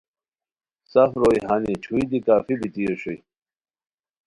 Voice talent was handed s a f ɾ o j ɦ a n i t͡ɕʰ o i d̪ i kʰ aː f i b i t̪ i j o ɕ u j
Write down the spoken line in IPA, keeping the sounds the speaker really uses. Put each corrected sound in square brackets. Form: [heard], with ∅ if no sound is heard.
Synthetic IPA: s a f ɾ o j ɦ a n i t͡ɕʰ [u] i d̪ i [k] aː f i b i t̪ i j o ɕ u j